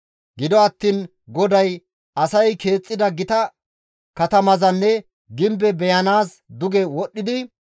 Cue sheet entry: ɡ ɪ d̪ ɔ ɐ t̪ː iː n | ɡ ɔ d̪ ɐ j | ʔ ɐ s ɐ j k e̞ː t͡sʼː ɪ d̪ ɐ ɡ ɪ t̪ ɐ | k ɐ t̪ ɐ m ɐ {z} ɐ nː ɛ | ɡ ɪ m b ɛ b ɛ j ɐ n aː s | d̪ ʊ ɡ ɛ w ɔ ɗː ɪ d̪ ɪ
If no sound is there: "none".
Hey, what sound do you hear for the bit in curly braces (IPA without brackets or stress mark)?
z